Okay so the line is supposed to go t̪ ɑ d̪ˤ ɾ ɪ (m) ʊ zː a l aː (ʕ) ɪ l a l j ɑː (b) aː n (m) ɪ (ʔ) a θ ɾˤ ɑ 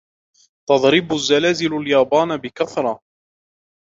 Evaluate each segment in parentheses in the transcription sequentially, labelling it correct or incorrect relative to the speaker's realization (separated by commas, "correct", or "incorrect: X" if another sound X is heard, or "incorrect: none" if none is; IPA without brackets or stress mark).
incorrect: b, incorrect: z, correct, incorrect: b, incorrect: k